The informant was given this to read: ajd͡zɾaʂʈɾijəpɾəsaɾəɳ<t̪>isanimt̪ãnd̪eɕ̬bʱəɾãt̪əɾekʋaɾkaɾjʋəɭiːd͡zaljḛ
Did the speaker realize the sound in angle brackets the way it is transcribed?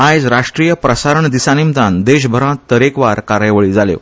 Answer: no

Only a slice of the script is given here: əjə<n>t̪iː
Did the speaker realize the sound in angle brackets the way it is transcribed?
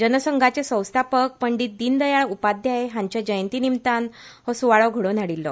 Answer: yes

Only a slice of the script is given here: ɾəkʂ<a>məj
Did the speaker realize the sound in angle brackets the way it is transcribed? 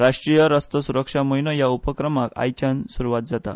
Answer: yes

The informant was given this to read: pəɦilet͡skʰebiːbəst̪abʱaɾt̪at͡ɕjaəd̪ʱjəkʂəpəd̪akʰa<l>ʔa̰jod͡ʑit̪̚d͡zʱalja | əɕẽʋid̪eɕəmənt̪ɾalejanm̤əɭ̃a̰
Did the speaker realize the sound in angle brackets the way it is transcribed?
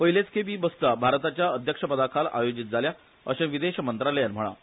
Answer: yes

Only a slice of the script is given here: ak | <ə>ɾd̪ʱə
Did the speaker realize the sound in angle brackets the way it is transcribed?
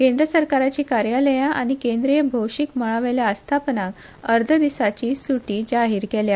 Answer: yes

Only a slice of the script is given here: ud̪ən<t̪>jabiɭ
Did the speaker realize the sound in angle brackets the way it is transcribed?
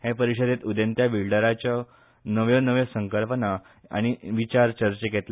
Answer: yes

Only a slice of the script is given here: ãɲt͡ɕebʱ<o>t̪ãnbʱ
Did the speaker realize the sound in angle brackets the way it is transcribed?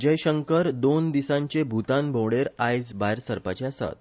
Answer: no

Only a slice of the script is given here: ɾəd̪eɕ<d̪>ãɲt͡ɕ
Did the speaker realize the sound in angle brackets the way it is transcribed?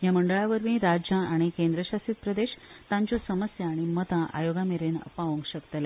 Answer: no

